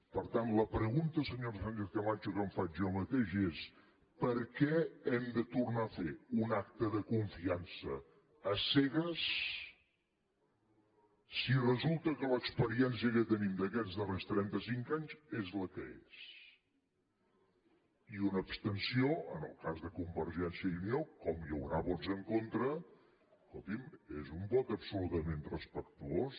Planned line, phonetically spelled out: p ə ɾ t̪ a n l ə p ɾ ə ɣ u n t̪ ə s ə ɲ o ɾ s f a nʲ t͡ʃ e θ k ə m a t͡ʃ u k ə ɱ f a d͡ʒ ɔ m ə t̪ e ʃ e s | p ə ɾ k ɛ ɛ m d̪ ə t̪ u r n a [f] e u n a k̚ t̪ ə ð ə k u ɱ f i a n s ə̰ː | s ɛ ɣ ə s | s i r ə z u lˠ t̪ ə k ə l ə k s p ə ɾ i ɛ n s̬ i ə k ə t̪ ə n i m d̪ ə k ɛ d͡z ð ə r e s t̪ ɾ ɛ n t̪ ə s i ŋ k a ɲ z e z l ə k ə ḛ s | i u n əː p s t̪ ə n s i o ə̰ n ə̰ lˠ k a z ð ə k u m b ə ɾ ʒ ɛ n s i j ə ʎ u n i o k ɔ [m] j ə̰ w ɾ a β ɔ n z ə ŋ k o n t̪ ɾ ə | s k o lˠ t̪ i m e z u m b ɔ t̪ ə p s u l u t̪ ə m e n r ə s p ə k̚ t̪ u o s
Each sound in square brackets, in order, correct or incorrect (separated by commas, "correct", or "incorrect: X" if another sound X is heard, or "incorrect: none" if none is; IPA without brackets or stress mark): correct, correct